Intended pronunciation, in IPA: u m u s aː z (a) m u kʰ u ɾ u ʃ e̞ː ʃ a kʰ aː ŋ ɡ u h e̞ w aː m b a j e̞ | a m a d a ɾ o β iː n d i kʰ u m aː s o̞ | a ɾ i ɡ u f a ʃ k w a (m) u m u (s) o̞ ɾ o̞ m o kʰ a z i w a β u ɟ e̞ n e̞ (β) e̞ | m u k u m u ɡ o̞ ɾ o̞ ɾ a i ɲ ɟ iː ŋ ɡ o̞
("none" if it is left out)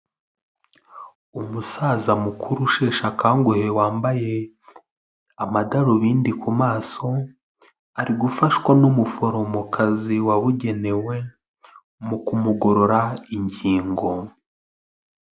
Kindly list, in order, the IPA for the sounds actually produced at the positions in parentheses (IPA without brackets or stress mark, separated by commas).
a, n, f, w